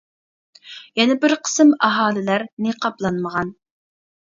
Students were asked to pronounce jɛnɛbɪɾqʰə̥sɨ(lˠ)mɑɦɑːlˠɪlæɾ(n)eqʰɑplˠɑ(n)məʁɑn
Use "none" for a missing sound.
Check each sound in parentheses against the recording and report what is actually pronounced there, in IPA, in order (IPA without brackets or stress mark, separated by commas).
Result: none, n, n